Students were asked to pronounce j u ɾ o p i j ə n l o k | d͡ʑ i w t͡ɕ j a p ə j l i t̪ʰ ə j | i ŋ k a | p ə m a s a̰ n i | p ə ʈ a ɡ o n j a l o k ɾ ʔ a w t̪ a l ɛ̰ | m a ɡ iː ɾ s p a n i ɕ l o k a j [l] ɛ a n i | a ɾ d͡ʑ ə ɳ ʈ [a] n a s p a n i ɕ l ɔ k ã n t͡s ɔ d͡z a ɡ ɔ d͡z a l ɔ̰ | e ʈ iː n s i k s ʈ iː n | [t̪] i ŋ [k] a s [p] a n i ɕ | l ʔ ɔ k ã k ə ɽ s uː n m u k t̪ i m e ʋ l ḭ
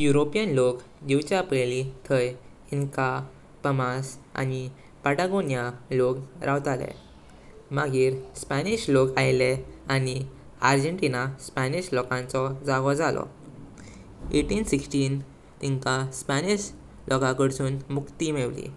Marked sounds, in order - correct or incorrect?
correct, incorrect: i, correct, correct, correct

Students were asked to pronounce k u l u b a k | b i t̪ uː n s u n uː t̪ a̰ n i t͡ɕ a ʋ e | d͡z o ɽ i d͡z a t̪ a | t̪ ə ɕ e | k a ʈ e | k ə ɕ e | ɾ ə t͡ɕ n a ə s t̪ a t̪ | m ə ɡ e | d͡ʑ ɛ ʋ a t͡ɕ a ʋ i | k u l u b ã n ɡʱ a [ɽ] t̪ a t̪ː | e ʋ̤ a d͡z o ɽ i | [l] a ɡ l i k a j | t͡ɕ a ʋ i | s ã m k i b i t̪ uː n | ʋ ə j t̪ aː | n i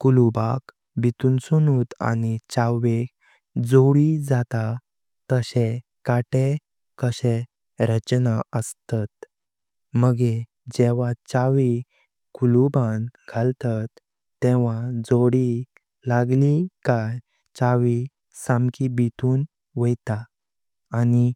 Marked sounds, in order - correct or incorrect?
incorrect: l, correct

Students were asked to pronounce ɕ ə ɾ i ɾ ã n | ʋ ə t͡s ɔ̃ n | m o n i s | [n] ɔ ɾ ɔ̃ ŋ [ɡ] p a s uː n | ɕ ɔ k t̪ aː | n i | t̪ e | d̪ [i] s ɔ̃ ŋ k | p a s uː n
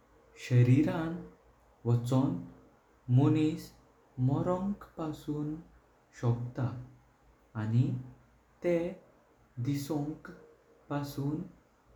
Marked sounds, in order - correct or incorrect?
incorrect: m, incorrect: k, correct

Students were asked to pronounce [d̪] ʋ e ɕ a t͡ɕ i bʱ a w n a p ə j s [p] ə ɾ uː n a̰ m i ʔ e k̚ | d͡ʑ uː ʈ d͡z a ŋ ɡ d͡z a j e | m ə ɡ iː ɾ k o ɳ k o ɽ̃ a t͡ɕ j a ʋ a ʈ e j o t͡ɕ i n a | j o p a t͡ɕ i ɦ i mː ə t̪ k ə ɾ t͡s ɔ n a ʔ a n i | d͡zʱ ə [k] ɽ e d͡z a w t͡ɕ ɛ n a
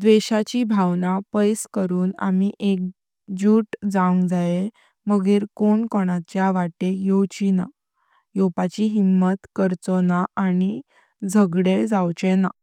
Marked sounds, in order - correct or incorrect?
correct, incorrect: k, incorrect: ɡ

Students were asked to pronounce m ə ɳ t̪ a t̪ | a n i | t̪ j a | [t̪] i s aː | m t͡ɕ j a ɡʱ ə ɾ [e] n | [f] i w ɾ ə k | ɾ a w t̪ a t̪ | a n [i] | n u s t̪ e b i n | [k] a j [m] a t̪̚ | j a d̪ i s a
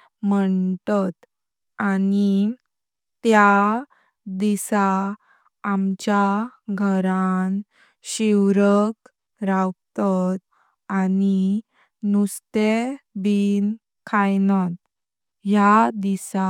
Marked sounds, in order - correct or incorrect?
incorrect: d̪, incorrect: a, incorrect: ɕ, correct, incorrect: kʰ, incorrect: n

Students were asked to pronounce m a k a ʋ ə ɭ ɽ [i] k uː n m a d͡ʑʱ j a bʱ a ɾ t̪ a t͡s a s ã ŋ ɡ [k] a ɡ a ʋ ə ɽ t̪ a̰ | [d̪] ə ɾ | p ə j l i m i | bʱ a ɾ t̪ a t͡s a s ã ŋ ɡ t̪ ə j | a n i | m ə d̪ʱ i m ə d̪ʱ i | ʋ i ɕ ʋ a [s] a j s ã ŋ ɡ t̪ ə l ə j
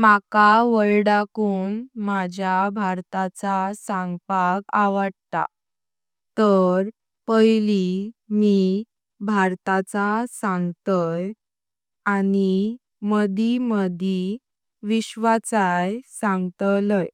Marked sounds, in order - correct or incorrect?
incorrect: a, incorrect: p, incorrect: t̪, incorrect: t͡s

